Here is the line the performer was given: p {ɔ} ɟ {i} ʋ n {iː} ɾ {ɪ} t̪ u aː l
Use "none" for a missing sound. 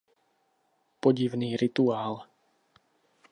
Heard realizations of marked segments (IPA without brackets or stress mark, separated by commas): ɔ, i, iː, i